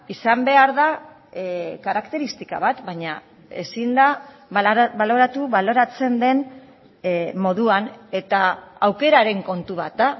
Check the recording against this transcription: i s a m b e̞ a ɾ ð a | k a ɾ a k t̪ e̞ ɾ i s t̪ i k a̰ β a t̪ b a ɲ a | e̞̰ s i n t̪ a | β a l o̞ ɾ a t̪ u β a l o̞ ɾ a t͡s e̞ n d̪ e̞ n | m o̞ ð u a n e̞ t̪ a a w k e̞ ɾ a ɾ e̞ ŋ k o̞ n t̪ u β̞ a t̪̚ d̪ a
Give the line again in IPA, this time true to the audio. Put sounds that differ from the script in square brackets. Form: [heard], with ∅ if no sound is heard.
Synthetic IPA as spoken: i s a m b e̞ a ɾ ð a | k a ɾ a k t̪ e̞ ɾ i s t̪ i k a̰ β a t̪ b a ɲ a | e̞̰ s i n [d̪] a | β a l o̞ ɾ a t̪ u β a l o̞ ɾ a t͡s e̞ n d̪ e̞ n | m o̞ ð u a n e̞ t̪ a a w k e̞ ɾ a ɾ e̞ ŋ k o̞ n t̪ u β̞ a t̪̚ d̪ a